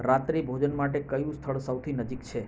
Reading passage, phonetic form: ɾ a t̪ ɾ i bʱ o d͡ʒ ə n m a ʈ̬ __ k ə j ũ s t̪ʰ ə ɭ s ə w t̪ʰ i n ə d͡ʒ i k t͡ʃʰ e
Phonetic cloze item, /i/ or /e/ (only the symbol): e